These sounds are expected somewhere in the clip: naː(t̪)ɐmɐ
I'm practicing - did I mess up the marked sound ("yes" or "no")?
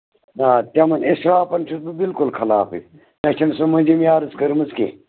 no